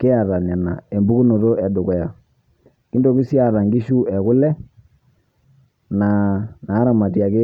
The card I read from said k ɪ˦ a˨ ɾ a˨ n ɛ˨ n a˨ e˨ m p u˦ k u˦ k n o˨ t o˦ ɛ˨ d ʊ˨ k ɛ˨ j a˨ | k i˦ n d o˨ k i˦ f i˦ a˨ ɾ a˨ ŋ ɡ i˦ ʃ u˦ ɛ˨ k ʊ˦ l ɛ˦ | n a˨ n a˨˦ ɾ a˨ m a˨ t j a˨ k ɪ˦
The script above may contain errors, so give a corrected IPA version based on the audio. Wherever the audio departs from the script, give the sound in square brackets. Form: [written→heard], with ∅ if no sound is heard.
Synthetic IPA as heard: k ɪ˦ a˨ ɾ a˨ n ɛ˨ n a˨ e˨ m [p→b] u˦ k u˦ [k→∅] n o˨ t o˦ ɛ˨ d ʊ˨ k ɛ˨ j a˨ | k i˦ n d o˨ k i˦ [f→s] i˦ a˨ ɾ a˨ ŋ ɡ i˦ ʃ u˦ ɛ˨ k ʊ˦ l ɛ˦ | n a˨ n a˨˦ ɾ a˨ m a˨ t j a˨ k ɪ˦